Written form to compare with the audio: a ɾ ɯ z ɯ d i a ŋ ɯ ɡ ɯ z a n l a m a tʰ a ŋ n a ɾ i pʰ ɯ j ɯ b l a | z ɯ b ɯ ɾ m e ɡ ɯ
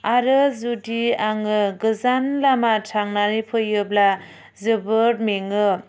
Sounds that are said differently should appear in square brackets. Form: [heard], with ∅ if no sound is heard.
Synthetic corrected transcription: a ɾ ɯ z [u] d i a ŋ ɯ ɡ ɯ z a n l a m a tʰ a ŋ n a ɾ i pʰ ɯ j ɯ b l a | z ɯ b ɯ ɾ m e [ŋ] ɯ